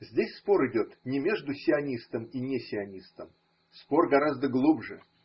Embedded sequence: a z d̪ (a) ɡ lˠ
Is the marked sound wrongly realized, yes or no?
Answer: yes